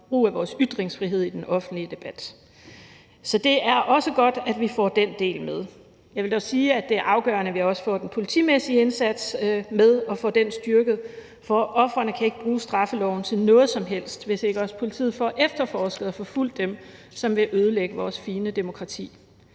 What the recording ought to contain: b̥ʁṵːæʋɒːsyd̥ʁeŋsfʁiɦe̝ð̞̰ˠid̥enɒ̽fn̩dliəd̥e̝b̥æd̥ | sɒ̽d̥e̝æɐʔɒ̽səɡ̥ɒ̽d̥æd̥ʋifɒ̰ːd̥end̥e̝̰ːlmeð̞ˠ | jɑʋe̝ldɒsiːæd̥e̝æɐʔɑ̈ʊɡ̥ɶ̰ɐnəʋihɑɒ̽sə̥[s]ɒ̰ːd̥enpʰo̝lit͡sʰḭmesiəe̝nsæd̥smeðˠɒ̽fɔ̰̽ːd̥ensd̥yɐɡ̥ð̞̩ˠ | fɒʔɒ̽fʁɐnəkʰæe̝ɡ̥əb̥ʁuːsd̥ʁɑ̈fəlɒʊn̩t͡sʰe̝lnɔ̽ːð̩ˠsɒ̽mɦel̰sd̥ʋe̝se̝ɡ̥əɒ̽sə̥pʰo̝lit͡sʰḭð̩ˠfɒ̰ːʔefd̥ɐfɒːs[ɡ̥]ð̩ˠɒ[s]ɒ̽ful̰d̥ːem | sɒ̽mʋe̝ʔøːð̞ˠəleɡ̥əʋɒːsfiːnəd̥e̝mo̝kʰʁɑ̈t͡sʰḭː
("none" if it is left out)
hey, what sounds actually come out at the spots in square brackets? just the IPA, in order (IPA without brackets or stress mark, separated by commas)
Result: f, ɡ̥, f